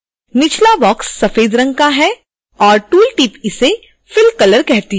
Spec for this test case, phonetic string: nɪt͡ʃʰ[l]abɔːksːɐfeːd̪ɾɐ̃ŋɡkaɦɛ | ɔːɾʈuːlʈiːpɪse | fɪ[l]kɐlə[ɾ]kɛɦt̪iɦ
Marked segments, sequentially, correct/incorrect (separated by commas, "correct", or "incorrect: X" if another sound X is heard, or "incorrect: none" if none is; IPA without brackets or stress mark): correct, correct, correct